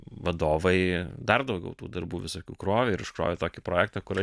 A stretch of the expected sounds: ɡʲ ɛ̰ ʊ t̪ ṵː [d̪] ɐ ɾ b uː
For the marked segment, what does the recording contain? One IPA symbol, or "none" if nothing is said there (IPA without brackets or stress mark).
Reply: d̪